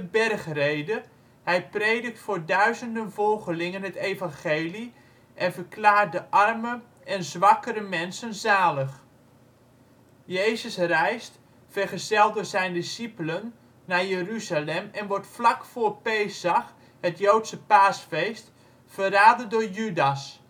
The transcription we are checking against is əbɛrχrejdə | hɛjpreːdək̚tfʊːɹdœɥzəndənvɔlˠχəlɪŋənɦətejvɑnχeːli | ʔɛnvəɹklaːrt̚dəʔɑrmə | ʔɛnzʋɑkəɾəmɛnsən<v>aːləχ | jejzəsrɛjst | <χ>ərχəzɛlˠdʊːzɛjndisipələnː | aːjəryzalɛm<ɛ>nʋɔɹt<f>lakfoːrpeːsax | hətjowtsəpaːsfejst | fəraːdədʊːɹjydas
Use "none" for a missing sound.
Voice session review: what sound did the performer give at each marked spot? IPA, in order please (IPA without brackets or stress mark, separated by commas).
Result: z, f, ɛ, f